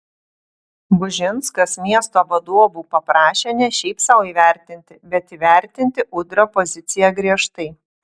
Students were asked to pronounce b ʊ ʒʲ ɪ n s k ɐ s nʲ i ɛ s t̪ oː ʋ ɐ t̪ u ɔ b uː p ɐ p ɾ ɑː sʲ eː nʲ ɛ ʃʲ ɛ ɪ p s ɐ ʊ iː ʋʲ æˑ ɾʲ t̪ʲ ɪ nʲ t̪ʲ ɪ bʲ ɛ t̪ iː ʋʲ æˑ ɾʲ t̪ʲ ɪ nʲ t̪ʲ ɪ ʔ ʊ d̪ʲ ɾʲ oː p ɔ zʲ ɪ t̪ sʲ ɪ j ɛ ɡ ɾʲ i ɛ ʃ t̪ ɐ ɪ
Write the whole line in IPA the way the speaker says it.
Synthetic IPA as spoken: b ʊ ʒʲ ɪ n s k ɐ s mʲ i ɛ s t̪ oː ʋ ɐ d̪ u ɔ b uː p ɐ p ɾ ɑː ʃʲ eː nʲ ɛ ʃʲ ɛ ɪ p s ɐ ʊ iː ʋʲ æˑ ɾʲ t̪ʲ ɪ nʲ t̪ʲ ɪ bʲ ɛ t̪ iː ʋʲ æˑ ɾʲ t̪ʲ ɪ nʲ t̪ʲ ɪ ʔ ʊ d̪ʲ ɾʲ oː p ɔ zʲ ɪ t̪ sʲ ɪ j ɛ ɡ ɾʲ i ɛ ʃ t̪ ɐ ɪ